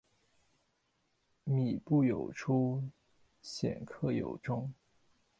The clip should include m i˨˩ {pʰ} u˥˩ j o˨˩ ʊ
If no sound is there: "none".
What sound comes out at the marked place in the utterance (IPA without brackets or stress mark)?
p